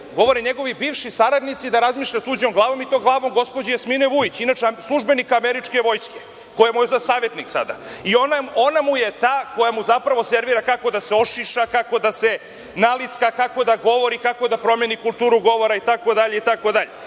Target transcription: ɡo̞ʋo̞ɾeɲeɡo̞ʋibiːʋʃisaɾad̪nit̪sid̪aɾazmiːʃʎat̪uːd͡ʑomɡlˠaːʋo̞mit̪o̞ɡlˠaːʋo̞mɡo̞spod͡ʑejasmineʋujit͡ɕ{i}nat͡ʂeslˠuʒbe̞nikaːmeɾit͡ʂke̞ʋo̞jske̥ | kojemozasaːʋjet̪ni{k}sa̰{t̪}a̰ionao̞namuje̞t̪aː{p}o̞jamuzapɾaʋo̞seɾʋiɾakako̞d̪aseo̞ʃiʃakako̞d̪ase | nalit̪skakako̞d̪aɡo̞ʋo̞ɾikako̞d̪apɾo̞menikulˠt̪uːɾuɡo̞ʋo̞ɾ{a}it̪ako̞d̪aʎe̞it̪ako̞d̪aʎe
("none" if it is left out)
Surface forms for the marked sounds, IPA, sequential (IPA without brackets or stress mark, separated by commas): i, k, d̪, k, a